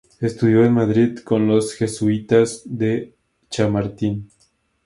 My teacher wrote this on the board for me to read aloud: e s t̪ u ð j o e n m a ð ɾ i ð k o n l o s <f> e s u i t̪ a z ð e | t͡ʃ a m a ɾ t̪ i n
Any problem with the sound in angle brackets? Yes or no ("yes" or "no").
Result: yes